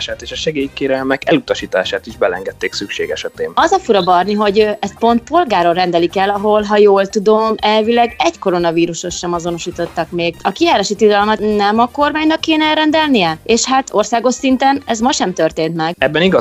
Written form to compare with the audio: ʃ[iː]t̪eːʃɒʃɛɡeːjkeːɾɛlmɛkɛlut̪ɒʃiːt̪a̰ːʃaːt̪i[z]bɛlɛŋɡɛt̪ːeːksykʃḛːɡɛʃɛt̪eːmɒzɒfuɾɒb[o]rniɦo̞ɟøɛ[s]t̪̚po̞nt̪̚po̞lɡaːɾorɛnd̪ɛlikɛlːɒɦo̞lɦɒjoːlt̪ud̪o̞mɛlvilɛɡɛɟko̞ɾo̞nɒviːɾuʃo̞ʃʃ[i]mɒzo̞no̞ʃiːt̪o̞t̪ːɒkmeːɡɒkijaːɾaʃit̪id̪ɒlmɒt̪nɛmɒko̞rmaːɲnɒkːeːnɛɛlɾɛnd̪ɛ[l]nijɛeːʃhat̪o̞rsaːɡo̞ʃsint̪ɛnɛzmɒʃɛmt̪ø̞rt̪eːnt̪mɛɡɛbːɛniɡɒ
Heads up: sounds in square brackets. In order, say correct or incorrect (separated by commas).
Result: incorrect, incorrect, incorrect, correct, incorrect, correct